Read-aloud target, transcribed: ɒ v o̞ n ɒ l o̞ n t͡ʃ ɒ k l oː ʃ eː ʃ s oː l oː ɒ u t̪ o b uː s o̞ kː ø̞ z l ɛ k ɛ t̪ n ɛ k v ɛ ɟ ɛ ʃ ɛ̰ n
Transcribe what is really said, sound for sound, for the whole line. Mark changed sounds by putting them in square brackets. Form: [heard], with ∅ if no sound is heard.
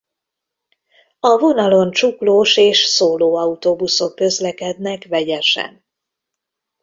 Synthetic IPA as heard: ɒ v o̞ n ɒ l o̞ n t͡ʃ [u] k l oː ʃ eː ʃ s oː l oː ɒ u t̪ o b [u] s o̞ kː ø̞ z l ɛ k ɛ [d̪] n ɛ k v ɛ ɟ ɛ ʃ ɛ̰ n